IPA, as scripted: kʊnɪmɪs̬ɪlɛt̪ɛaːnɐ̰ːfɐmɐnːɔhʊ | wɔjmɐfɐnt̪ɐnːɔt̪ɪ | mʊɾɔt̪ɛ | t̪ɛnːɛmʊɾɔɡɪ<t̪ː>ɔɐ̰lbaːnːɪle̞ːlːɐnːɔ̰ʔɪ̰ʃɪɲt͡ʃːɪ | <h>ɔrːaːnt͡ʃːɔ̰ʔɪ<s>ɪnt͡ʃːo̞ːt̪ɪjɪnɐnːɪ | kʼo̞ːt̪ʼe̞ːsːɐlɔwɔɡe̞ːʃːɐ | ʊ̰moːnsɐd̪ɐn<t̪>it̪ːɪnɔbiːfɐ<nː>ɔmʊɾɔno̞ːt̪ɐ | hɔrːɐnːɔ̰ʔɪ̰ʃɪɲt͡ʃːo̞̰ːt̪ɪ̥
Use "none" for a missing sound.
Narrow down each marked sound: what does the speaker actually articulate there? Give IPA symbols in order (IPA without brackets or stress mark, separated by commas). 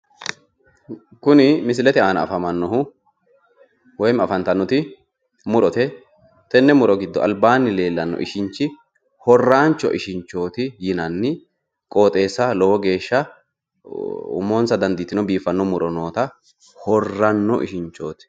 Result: d̪ː, h, ʃ, d̪, nː